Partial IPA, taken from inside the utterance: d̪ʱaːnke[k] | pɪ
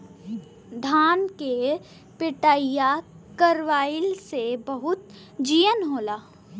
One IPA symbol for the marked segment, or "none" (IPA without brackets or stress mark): none